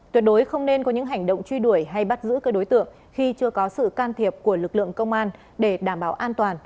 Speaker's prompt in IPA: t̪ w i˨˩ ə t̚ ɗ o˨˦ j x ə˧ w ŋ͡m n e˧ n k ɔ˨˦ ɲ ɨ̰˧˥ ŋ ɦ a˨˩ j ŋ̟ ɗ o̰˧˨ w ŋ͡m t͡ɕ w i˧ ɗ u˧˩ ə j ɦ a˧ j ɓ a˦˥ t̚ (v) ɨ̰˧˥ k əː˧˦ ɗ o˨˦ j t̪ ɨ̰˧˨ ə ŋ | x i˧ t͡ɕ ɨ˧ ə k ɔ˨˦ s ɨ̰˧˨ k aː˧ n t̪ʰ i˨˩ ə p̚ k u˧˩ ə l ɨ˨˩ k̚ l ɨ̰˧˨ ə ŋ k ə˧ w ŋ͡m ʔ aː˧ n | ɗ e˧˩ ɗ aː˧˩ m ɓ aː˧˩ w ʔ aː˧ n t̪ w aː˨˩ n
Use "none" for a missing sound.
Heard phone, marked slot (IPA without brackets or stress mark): z